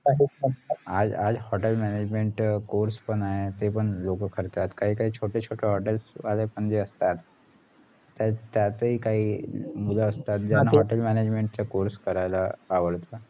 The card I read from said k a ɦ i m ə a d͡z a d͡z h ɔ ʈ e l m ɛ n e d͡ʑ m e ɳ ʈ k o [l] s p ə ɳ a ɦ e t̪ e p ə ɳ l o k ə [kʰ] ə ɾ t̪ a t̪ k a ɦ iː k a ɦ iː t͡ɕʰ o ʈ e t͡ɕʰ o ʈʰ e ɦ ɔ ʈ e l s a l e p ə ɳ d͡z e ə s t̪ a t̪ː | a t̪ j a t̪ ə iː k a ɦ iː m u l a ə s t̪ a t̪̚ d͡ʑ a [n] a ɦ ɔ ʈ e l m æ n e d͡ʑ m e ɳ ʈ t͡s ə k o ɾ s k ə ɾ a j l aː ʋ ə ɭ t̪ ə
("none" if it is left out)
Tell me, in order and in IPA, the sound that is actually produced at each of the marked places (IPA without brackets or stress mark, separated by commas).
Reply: ɾ, kʰ, n